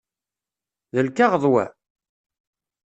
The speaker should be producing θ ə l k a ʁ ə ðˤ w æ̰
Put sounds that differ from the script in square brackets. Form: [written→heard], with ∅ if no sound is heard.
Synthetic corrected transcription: [θ→ð] ə l k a ʁ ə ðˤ w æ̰